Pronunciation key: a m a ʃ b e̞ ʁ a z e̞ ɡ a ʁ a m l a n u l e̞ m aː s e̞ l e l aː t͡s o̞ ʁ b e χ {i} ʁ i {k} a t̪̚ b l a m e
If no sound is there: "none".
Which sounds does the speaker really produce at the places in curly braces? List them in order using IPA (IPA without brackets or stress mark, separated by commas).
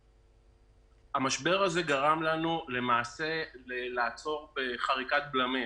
a, k